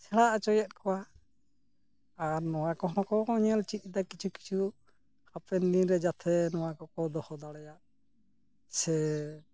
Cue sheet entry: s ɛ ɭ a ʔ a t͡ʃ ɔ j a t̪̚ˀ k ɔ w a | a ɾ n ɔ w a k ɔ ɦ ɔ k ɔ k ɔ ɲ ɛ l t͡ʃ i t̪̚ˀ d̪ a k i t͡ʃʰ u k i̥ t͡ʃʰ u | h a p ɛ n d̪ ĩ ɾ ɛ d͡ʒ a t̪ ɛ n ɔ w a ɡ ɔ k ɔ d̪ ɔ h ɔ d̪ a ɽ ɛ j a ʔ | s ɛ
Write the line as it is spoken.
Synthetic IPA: s ɛ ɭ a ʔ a t͡ʃ ɔ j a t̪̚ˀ k ɔ w a | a ɾ n ɔ w a k ɔ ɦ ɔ k ɔ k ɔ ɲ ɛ l t͡ʃ i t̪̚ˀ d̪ a k i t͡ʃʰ u k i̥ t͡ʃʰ u | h a p ɛ n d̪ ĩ ɾ ɛ d͡ʒ a t̪ʰ ɛ n ɔ w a k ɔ k ɔ d̪ ɔ h ɔ d̪ a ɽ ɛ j a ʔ | s ɛ